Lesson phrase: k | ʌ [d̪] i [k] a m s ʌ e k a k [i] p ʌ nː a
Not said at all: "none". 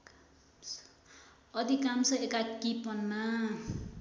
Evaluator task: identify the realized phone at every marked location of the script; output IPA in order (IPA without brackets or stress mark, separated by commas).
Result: d̪, k, i